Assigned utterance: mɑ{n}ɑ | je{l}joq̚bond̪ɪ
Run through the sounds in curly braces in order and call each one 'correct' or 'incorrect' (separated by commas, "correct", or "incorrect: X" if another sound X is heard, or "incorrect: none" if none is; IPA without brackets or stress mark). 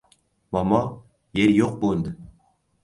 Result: incorrect: m, incorrect: ɾ